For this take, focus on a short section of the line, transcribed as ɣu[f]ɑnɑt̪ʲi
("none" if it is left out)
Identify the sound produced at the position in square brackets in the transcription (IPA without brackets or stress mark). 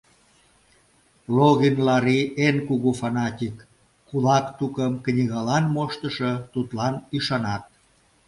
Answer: f